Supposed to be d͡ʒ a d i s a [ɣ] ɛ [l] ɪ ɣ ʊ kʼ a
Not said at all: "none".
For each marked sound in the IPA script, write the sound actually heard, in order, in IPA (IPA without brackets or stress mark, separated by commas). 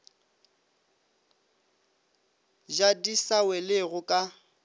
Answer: w, l